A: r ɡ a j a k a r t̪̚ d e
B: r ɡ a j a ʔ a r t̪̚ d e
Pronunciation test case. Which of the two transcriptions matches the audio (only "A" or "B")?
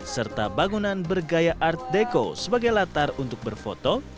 B